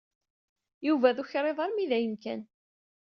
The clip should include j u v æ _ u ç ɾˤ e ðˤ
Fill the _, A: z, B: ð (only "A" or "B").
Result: B